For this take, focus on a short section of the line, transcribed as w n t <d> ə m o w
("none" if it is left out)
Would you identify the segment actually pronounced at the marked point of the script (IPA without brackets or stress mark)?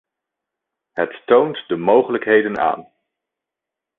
d